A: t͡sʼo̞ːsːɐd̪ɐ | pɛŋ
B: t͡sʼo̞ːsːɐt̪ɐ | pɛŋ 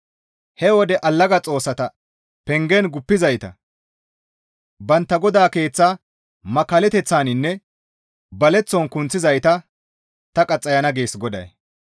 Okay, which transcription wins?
B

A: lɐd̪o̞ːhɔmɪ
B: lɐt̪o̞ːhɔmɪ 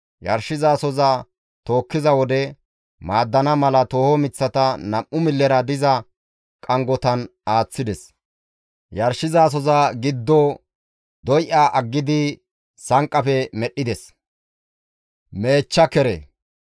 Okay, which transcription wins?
B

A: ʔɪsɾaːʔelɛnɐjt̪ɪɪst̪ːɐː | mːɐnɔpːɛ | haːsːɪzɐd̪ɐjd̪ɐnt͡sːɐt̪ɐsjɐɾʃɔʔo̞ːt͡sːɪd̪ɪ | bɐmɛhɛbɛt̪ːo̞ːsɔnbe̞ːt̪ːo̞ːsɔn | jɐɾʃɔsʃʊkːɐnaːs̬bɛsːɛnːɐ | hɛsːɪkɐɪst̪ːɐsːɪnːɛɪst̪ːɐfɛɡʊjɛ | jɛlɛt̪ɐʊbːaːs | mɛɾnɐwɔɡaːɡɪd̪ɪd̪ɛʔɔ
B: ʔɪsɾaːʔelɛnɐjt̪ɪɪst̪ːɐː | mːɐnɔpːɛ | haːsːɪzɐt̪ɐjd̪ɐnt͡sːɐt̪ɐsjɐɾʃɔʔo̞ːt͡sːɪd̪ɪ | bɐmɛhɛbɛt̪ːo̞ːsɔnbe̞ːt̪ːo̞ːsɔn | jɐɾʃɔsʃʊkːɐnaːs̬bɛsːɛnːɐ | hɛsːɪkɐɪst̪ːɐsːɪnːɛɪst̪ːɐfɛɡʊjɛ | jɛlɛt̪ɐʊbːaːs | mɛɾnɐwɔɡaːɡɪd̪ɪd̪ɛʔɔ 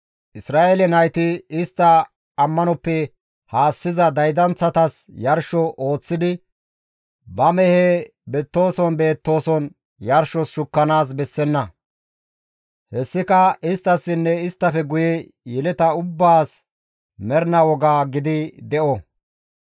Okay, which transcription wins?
A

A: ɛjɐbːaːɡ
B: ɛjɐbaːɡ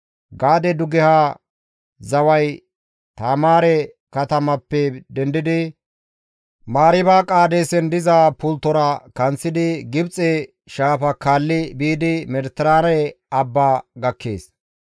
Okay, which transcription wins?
A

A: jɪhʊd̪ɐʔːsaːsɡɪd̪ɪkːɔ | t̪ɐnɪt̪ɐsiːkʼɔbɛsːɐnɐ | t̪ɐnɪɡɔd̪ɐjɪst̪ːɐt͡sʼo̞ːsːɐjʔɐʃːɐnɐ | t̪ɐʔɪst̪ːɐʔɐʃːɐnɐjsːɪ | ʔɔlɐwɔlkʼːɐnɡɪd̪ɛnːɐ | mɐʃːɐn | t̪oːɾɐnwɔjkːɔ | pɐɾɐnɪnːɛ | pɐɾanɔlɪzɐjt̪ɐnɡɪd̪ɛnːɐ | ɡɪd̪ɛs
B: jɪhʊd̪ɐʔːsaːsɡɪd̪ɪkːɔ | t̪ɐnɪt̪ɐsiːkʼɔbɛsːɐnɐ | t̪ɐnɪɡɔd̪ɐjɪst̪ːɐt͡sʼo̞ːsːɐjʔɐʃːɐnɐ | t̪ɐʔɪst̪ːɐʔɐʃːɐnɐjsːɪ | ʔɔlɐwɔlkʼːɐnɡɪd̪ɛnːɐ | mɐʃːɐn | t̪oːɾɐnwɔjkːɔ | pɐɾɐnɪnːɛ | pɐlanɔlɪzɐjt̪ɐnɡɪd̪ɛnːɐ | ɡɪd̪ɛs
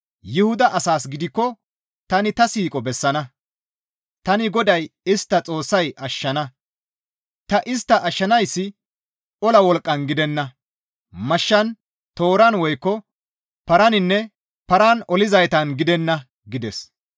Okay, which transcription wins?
A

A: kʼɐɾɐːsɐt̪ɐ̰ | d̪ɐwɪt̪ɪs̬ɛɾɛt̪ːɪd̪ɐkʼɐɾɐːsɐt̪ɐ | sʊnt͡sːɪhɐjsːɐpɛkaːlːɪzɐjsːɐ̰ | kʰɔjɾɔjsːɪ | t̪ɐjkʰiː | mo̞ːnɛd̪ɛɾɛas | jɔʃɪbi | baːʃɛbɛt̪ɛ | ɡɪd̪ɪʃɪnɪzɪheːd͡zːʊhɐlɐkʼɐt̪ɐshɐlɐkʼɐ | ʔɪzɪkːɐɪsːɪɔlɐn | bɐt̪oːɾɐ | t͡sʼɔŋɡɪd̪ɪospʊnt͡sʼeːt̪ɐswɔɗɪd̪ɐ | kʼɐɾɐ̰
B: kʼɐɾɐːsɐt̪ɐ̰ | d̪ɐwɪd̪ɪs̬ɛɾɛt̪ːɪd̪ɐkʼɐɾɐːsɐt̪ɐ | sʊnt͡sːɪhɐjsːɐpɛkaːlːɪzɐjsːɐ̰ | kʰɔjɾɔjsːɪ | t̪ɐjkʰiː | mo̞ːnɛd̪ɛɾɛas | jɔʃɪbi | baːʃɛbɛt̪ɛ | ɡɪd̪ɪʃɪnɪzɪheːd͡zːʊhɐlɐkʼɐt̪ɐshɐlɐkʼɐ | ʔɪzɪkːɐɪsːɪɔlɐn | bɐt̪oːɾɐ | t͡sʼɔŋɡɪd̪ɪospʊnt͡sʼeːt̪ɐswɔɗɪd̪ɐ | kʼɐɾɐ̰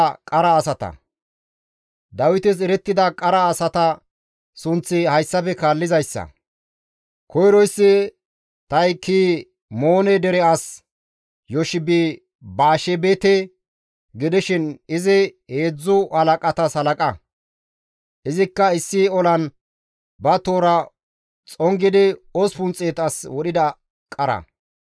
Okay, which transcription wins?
A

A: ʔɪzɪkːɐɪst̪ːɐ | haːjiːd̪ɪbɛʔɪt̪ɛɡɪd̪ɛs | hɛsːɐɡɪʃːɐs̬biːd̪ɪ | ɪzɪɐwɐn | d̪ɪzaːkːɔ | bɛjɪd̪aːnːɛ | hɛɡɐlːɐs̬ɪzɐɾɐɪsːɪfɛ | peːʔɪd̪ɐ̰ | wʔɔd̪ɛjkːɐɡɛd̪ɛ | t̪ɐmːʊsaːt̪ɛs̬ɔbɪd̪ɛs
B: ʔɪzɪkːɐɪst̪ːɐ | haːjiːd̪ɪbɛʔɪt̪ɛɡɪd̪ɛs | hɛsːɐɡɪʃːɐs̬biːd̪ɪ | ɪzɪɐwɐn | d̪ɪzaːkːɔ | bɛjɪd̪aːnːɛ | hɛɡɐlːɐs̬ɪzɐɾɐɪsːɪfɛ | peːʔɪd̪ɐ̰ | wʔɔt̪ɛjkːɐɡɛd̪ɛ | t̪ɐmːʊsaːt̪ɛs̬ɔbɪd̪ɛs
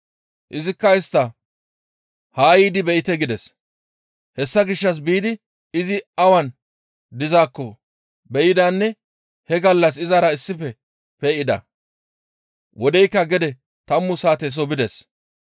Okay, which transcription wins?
A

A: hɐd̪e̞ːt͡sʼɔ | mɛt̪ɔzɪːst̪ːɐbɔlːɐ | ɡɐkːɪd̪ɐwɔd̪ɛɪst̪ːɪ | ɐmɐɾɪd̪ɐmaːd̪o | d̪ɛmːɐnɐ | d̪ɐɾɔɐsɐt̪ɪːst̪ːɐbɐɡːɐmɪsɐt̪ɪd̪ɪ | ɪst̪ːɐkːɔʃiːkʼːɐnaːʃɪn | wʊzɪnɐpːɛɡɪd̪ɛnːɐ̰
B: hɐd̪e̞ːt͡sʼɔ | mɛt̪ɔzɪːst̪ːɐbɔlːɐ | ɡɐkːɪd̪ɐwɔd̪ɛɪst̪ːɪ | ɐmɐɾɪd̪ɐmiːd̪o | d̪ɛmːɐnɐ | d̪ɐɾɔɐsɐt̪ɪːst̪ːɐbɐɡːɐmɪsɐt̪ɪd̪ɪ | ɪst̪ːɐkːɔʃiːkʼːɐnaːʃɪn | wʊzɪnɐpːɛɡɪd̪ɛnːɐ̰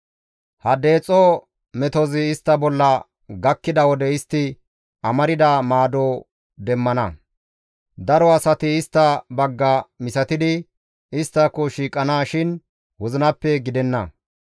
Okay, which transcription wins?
A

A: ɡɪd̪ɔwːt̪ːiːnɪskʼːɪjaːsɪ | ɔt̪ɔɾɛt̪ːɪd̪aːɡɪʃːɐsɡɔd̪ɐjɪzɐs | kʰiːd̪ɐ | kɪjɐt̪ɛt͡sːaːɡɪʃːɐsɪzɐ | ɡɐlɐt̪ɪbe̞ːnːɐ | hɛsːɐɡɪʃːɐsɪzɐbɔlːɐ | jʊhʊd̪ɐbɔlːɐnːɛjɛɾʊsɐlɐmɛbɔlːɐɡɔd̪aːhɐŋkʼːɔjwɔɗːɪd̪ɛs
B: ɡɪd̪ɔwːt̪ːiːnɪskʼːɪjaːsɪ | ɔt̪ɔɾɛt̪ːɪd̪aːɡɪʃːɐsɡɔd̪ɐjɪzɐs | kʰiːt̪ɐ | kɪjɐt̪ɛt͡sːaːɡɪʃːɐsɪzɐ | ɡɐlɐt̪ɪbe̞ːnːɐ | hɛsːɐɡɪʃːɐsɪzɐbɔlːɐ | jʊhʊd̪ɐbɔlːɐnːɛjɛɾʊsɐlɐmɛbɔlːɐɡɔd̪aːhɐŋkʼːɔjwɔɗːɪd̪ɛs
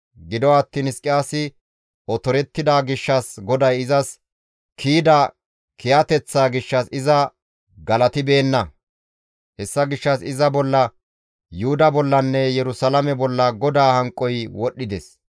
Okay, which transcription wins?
A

